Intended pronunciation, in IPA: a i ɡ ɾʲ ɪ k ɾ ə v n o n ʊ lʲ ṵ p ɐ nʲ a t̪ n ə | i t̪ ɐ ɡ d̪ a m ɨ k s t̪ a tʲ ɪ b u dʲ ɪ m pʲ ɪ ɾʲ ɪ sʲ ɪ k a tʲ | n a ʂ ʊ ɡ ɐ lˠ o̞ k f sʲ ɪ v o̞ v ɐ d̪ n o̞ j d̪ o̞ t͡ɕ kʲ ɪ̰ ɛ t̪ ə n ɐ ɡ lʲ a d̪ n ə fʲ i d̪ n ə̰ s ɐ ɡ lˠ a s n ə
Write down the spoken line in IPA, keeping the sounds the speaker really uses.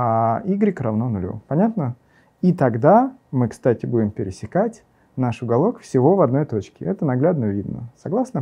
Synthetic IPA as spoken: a i ɡ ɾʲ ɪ k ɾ ɐ v n o n ʊ lʲ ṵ p ɐ nʲ a t̪ n ə | i t̪ ɐ ɡ d̪ a m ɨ k s t̪ a tʲ ɪ b u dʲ ɪ m pʲ ɪ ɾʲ ɪ sʲ ɪ k a tʲ | n a ʂ ʊ ɡ ɐ lˠ o̞ k f sʲ ɪ v o̞ v ɐ d̪ n o̞ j t̪ o̞ t͡ɕ kʲ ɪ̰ ɛ t̪ ə n ɐ ɡ lʲ a d̪ n ə vʲ i d̪ n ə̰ s ɐ ɡ lˠ a s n ə

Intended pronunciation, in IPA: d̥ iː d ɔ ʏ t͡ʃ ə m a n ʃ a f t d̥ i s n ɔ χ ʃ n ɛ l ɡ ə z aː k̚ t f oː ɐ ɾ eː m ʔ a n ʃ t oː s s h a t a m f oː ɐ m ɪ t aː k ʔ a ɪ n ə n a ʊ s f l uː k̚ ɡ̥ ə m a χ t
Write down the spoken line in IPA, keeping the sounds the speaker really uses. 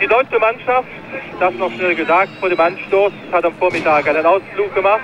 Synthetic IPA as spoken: d̥ iː d ɔ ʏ t͡ʃ ə m a n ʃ a f t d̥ a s n ɔ χ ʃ n ɛ l ɡ ə z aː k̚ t f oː ɐ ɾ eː m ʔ a n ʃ t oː s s h a t a m f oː ɐ m ɪ t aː k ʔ a ɪ n ə n a ʊ s f l uː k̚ ɡ̥ ə m a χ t

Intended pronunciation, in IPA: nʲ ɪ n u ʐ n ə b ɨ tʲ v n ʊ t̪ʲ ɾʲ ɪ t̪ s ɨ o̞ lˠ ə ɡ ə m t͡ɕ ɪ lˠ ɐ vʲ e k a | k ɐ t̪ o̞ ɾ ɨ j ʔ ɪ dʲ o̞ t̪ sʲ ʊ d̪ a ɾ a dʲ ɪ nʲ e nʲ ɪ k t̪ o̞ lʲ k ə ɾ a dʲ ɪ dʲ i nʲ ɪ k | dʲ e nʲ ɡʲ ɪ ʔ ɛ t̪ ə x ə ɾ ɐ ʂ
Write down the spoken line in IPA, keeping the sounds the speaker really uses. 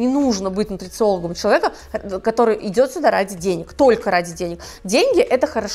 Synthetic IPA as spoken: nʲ ɪ n u ʐ n ə b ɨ tʲ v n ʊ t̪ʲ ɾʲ ɪ t̪ s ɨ o̞ lˠ ə ɡ ə m t͡ɕ ɪ lˠ ɐ vʲ e k ə | k ɐ t̪ o̞ ɾ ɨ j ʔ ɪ dʲ o̞ t̪ sʲ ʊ d̪ a ɾ a dʲ ɪ dʲ e nʲ ɪ k t̪ o̞ lʲ k ə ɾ a dʲ ɪ dʲ e nʲ ɪ k | dʲ e nʲ ɡʲ ɪ ʔ ɛ t̪ ə x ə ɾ ɐ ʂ

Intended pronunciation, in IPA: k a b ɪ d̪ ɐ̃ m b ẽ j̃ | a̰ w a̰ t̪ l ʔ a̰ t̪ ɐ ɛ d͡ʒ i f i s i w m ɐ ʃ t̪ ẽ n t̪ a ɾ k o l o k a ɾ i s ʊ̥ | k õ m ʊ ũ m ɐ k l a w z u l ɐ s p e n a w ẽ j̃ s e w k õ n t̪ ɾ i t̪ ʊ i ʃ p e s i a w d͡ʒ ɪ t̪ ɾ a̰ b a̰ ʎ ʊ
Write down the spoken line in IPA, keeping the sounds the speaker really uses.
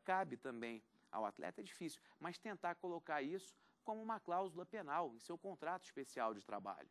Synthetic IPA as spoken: k a b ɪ t̪ ɐ̃ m b ẽ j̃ | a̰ w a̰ t̪ l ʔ ɛ̰ t̪ ɐ ɛ d͡ʒ i f i s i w m ɐ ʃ t̪ ẽ n t̪ a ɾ k o l o k a ɾ i s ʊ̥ | k õ m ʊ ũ m ɐ k l a w z u l ɐ p e n a w ẽ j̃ s e w k õ n t̪ ɾ a t̪ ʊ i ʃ p e s i a w d͡ʒ ɪ t̪ ɾ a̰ b a̰ ʎ ʊ

